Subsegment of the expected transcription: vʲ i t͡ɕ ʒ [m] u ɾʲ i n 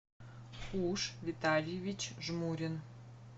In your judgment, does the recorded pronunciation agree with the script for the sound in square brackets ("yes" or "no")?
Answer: yes